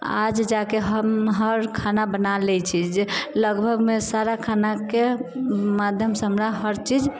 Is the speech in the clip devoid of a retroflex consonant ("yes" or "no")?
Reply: yes